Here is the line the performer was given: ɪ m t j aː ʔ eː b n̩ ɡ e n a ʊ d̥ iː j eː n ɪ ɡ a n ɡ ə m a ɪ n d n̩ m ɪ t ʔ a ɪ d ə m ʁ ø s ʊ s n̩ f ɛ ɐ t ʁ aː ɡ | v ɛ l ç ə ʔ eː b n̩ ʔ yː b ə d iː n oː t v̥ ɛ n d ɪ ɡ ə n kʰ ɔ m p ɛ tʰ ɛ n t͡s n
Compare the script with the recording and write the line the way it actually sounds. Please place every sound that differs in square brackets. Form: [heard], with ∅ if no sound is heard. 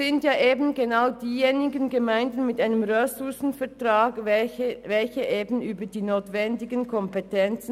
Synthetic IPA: ɪ [n] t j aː ʔ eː b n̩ ɡ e n a ʊ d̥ iː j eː n ɪ ɡ [ə] n ɡ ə m a ɪ n d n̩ m ɪ t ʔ a ɪ [n] ə m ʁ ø s ʊ s n̩ f ɛ ɐ t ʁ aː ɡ | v ɛ l ç ə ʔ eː b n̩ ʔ yː b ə d iː n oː t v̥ ɛ n d ɪ ɡ ə n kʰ ɔ m p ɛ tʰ ɛ n t͡s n